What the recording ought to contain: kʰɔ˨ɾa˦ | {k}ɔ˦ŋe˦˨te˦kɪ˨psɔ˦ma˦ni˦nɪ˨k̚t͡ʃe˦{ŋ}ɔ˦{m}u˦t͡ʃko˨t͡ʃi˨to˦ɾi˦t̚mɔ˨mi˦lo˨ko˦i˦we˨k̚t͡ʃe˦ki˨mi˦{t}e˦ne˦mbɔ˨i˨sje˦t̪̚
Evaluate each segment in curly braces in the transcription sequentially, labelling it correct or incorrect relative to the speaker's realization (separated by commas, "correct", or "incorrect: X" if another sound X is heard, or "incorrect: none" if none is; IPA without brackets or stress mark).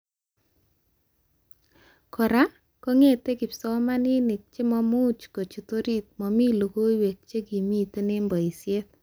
correct, incorrect: m, correct, correct